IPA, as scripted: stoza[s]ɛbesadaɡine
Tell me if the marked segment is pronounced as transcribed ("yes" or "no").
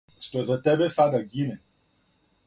no